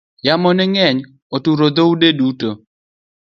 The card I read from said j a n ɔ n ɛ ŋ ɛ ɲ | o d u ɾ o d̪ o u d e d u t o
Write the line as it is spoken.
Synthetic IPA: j a m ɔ n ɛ ŋ ɛ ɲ | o t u ɾ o d̪ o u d e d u t o